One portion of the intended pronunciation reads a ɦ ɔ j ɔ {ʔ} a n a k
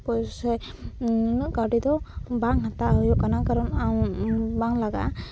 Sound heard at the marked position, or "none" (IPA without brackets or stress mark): k